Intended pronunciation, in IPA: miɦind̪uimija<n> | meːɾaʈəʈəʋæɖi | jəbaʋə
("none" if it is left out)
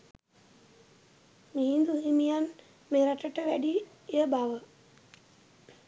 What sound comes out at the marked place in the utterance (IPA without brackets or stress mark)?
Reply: n